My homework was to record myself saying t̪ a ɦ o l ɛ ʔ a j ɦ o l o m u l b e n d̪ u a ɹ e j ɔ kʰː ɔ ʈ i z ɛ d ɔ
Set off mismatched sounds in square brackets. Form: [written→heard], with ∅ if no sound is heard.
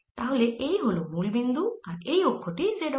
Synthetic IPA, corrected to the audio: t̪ a ɦ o l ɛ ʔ [a→e] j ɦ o l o m u l b [e→i] n d̪ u a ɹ e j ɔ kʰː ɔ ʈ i z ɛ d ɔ